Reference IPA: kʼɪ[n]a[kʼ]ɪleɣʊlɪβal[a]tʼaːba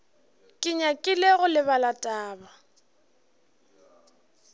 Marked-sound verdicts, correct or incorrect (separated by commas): incorrect, correct, correct